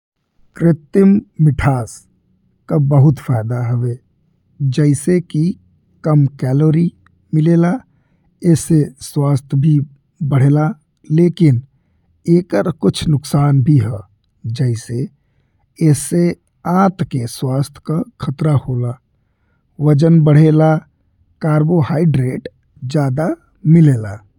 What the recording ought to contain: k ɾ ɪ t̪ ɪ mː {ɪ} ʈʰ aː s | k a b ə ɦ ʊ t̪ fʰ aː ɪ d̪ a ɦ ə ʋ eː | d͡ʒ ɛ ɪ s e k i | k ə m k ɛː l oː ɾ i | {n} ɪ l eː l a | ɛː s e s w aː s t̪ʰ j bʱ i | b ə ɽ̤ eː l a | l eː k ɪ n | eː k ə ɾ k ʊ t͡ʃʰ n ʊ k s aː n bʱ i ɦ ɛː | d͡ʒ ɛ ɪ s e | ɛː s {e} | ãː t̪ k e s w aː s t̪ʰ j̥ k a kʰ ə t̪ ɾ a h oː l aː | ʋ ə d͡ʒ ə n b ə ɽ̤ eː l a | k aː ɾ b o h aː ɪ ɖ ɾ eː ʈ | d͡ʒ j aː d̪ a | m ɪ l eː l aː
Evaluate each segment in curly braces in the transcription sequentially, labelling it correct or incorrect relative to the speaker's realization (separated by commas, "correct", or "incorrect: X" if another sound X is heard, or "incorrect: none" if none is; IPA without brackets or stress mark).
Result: correct, incorrect: m, correct